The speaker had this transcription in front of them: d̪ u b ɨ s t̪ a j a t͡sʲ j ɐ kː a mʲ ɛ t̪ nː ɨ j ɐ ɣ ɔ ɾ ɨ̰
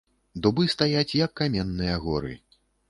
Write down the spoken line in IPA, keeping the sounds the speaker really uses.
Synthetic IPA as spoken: d̪ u b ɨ s t̪ a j a t͡sʲ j ɐ kː a mʲ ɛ nː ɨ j ɐ ɣ ɔ ɾ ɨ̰

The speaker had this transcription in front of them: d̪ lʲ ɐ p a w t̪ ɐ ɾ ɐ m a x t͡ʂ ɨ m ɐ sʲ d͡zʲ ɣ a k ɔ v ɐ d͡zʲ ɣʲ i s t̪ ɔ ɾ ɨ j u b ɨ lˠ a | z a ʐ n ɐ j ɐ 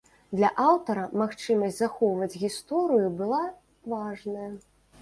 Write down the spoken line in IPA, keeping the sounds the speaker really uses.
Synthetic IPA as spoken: d̪ lʲ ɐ ʔ a w t̪ ɐ ɾ ɐ m a x t͡ʂ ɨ m ɐ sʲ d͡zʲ z a x ɔ v ɐ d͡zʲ ɣʲ i s t̪ ɔ ɾ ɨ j u b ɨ lˠ a | v a ʐ n ɐ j ɐ

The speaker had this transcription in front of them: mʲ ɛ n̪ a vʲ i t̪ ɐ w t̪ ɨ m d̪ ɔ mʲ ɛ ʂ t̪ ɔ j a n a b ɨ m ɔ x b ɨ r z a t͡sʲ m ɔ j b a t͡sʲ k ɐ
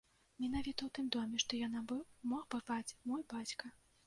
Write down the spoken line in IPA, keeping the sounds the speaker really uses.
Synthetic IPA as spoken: mʲ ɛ n̪ a vʲ i t̪ ɐ w t̪ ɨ m d̪ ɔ mʲ ɛ ʂ t̪ ɔ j a n a b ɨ m ɔ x b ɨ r v a t͡sʲ m ɔ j b a t͡sʲ k ɐ

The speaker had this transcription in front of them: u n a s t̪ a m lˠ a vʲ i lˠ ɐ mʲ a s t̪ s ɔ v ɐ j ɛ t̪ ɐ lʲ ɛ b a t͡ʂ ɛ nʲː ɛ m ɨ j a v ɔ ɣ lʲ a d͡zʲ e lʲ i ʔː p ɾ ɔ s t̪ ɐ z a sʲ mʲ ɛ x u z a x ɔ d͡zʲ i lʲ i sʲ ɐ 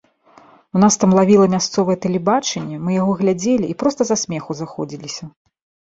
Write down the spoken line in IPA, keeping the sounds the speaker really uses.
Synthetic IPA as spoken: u n a s t̪ a m lˠ a vʲ i lˠ ɐ mʲ a s t̪ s ɔ v ɐ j ɛ t̪ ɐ lʲ ɛ b a t͡ʂ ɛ nʲː ɛ m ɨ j a ɣ ɔ ɣ lʲ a d͡zʲ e lʲ i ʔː p ɾ ɔ s t̪ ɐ z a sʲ mʲ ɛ x u z a x ɔ d͡zʲ i lʲ i sʲ ɐ

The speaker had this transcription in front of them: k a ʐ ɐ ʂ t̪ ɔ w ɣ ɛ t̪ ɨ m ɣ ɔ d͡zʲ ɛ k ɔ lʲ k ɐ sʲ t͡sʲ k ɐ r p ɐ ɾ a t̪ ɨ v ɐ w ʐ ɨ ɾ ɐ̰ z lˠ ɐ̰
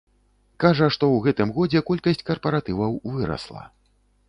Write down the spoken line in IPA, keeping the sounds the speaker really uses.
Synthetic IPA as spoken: k a ʐ ɐ ʂ t̪ ɔ w ɣ ɛ t̪ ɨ m ɣ ɔ d͡zʲ ɛ k ɔ lʲ k ɐ sʲ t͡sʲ k ɐ r p ɐ ɾ a t̪ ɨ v ɐ w v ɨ ɾ ɐ̰ s lˠ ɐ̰

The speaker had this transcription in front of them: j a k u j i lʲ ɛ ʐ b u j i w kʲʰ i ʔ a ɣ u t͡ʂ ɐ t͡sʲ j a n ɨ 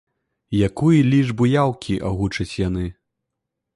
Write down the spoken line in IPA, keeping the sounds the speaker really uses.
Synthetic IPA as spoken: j a k u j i lʲ i ʐ b u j a w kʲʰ i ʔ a ɣ u t͡ʂ ɐ t͡sʲ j a n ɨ

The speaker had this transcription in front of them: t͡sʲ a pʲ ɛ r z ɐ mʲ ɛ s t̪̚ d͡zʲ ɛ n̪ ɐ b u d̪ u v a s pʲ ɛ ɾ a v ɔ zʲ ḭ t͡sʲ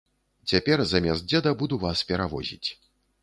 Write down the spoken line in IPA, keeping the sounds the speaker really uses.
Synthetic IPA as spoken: t͡sʲ a pʲ ɛ r z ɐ mʲ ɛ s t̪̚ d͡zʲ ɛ d̪ ɐ b u d̪ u v a s pʲ ɛ ɾ a v ɔ zʲ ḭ t͡sʲ

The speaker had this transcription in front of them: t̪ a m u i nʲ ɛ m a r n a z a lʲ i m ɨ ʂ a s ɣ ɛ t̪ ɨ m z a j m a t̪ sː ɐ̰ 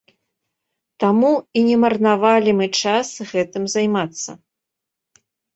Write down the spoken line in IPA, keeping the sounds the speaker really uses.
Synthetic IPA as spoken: t̪ a m u i nʲ ɛ m ɐ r n a v a lʲ i m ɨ t͡ʂ a s ɣ ɛ t̪ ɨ m z a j m a t̪ sː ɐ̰

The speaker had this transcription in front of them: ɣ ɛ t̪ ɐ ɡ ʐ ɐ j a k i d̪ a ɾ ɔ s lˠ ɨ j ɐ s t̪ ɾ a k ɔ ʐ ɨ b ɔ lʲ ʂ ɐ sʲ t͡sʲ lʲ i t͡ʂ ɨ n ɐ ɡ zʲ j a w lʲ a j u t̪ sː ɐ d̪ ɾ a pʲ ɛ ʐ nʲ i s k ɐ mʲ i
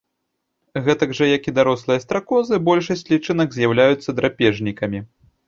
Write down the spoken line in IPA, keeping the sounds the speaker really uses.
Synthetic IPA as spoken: ɣ ɛ t̪ ɐ ɡ ʐ ɐ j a k i d̪ a ɾ ɔ s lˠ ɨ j ɐ s t̪ ɾ a k ɔ z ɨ b ɔ lʲ ʂ ɐ sʲ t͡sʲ lʲ i t͡ʂ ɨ n ɐ ɡ zʲ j a w lʲ a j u t̪ sː ɐ d̪ ɾ a pʲ ɛ ʐ nʲ i k ɐ mʲ i

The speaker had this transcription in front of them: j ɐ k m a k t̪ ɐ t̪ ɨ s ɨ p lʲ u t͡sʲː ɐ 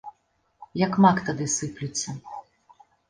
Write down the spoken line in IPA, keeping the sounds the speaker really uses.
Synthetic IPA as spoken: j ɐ k m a k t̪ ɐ d̪ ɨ s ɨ p lʲ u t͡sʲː ɐ

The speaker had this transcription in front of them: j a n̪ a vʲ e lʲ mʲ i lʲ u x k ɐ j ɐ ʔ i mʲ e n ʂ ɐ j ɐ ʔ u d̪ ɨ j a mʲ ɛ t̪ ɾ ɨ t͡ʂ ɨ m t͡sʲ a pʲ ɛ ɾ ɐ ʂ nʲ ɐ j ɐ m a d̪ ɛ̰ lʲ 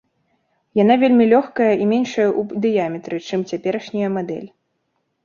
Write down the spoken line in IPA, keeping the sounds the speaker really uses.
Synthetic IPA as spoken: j a n̪ a vʲ e lʲ mʲ i lʲ ɔ x k ɐ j ɐ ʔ i mʲ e n ʂ ɐ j ɐ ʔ u d̪ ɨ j a mʲ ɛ t̪ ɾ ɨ t͡ʂ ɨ m t͡sʲ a pʲ ɛ ɾ ɐ ʂ nʲ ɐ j ɐ m a d̪ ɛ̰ lʲ

